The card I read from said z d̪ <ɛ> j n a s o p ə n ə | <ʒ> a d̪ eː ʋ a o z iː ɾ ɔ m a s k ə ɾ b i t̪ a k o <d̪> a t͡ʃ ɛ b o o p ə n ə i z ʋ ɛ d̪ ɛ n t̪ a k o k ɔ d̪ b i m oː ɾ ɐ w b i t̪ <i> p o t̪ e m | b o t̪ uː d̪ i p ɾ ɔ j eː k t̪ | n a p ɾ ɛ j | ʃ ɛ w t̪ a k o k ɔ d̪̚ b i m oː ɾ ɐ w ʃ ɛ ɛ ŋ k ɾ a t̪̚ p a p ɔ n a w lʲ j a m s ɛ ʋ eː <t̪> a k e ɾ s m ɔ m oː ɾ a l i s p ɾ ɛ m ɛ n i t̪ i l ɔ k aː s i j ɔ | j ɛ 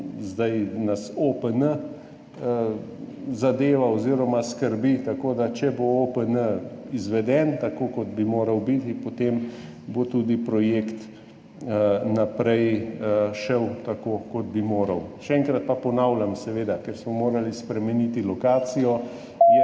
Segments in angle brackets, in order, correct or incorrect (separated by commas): incorrect, incorrect, correct, correct, incorrect